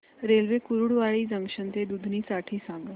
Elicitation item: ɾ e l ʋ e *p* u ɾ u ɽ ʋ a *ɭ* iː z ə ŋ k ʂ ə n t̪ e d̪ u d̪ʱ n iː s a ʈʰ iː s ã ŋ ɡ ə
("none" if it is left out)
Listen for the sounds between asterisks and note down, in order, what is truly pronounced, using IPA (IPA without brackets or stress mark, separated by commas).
k, ɭ